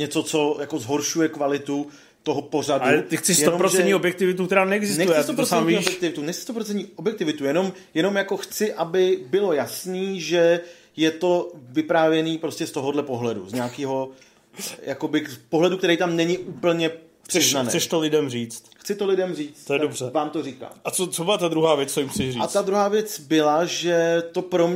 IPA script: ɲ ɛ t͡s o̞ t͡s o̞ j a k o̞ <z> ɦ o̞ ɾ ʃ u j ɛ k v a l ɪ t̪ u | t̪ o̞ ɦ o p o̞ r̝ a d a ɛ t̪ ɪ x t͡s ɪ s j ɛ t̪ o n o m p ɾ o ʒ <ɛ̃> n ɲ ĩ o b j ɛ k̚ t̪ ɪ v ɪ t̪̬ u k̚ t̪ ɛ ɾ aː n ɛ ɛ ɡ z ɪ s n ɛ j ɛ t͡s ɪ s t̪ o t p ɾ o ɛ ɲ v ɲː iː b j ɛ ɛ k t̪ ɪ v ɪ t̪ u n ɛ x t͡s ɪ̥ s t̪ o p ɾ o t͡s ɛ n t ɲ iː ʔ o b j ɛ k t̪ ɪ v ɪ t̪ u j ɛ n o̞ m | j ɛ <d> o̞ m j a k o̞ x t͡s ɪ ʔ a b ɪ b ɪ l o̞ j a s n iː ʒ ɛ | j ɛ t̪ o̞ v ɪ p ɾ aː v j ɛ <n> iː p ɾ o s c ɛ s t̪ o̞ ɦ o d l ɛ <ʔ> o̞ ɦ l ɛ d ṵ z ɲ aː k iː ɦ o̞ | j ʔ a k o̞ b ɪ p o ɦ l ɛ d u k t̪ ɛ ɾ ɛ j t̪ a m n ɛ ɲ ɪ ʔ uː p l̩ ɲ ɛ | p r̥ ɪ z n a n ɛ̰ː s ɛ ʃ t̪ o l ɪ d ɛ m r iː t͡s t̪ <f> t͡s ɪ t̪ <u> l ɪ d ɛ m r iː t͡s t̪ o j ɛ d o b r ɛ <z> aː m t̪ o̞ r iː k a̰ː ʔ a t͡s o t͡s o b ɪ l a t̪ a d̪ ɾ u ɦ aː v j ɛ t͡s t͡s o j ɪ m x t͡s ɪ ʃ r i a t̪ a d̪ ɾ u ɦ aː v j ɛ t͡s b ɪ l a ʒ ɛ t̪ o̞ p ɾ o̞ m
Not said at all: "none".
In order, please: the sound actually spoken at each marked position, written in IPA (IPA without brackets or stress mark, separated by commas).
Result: z, ɛ, n, n, p, x, o, v